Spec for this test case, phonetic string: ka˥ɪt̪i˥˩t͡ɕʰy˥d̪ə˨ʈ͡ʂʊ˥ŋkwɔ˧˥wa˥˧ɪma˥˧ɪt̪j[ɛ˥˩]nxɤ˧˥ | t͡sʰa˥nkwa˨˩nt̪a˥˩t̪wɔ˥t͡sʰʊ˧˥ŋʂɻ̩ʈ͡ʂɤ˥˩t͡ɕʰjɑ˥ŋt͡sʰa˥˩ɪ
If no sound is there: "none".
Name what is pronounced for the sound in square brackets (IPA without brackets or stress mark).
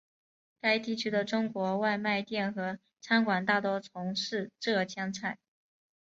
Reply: ɛ˥˩